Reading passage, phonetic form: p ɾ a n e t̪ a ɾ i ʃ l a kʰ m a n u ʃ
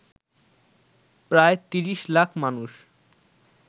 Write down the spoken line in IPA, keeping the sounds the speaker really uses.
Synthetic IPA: p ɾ a e t̪ i ɾ i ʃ l a kʰ m a n u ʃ